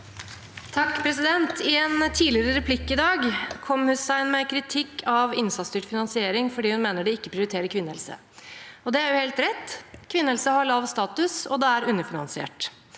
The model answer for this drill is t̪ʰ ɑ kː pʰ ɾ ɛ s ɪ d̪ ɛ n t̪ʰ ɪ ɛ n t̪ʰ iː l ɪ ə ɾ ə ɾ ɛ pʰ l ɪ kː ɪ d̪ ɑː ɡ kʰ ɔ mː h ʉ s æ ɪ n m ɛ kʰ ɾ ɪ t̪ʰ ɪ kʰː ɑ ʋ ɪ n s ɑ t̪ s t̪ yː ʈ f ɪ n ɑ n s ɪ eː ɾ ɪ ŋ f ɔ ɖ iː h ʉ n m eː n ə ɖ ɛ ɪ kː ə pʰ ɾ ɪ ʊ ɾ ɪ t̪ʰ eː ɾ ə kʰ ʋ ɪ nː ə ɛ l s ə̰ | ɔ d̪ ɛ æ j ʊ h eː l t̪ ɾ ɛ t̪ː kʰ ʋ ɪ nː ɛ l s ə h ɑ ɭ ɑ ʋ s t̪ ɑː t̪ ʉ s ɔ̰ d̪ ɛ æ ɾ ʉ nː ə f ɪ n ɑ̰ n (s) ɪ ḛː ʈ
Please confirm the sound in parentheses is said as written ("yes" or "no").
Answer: yes